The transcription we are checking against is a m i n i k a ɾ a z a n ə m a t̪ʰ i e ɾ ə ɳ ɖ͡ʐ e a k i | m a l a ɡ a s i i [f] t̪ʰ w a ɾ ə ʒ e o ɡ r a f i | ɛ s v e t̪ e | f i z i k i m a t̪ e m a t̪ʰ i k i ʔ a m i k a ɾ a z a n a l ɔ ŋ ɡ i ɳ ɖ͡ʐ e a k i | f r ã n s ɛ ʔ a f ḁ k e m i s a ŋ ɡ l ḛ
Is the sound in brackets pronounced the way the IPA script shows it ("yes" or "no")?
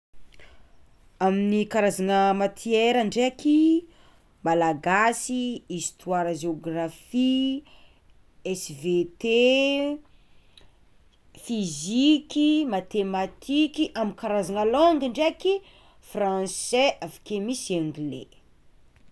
no